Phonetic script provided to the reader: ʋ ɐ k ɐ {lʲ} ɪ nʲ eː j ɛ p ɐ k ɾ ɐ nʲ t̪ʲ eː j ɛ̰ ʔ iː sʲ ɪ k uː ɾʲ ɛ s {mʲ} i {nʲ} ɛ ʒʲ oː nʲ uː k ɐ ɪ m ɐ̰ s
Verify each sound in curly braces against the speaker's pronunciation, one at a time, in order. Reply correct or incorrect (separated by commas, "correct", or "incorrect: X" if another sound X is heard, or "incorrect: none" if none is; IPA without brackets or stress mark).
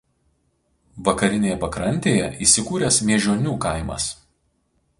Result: incorrect: ɾʲ, correct, incorrect: none